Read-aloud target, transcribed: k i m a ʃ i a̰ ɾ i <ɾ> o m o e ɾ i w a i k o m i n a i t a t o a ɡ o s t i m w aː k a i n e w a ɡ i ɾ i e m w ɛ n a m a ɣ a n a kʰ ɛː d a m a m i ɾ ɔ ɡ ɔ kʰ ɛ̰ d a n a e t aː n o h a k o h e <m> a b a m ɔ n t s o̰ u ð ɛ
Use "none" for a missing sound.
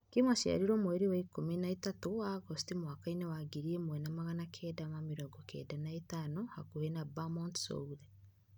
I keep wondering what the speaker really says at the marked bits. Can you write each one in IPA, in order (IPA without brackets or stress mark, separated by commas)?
ɾ, n